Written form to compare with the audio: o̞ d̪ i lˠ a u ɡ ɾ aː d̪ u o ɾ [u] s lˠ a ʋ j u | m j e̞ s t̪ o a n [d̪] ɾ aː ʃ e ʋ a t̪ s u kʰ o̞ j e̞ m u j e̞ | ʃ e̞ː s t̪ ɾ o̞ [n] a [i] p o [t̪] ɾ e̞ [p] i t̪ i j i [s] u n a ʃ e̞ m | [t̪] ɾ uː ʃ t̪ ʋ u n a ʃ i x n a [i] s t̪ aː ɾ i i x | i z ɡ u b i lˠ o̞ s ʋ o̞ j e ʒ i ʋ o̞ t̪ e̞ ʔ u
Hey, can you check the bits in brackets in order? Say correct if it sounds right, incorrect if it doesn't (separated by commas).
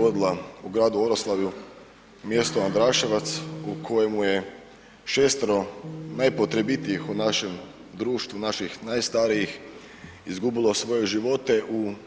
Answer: incorrect, correct, correct, incorrect, correct, incorrect, incorrect, incorrect, incorrect